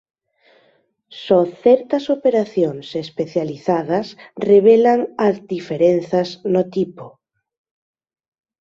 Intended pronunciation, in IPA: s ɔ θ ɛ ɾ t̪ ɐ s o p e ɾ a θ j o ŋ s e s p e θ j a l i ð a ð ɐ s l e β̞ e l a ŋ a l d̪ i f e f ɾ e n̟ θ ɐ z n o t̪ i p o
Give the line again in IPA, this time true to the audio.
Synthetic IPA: s ɔ θ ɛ ɾ t̪ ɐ s o p e ɾ a θ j o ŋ s e s p e θ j a l i θ a ð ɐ s r e β̞ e l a ŋ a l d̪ i f e ɾ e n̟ θ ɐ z n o t̪ i p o